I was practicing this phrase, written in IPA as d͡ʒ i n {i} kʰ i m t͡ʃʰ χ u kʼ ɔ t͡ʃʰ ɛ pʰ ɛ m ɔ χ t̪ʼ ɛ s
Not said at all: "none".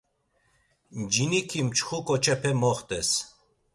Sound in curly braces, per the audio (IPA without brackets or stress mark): i